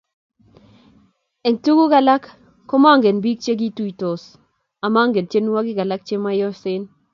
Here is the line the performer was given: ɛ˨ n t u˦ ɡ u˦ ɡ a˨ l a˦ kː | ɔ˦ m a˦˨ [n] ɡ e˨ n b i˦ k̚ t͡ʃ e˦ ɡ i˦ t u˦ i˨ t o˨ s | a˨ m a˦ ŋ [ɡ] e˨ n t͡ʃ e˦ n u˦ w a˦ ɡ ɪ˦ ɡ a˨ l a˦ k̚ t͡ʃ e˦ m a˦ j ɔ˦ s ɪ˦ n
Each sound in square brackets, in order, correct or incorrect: incorrect: ŋ, correct

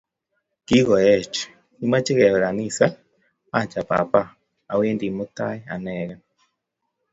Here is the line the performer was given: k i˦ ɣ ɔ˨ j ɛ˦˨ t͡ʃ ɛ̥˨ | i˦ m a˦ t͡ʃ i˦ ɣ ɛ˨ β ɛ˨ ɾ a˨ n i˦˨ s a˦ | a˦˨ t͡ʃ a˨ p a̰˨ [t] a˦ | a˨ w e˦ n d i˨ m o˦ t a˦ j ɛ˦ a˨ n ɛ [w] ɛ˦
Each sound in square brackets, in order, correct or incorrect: incorrect: p, incorrect: ɣ

